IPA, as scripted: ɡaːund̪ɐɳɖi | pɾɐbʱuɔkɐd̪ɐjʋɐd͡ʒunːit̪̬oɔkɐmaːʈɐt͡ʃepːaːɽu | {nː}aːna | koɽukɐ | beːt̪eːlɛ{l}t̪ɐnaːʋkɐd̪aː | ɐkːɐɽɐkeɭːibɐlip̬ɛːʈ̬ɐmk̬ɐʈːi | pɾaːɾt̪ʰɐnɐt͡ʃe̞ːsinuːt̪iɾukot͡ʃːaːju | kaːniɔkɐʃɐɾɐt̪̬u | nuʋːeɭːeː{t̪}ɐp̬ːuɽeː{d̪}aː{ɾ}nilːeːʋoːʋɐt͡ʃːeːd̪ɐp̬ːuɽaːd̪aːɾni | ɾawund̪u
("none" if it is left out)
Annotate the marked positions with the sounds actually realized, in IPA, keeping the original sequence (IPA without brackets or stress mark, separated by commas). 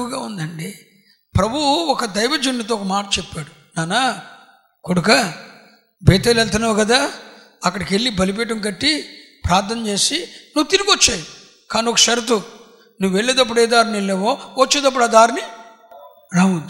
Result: n, l, d̪, d̪, ɾ